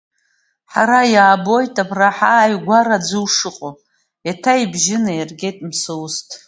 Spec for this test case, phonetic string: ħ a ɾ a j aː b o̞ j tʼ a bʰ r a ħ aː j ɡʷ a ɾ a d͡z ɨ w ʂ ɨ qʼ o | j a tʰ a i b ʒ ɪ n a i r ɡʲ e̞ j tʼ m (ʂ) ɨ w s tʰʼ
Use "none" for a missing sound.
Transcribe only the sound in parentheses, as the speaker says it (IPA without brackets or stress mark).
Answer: s